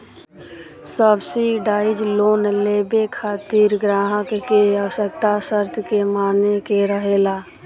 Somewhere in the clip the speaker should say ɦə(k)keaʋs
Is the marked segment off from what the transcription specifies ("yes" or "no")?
no